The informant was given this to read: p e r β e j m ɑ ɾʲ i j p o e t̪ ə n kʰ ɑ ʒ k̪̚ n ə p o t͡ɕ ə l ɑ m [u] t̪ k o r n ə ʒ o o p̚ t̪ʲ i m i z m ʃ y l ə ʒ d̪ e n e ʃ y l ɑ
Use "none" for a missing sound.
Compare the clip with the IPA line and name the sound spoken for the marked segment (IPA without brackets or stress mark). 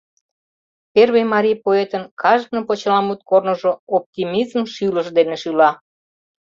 u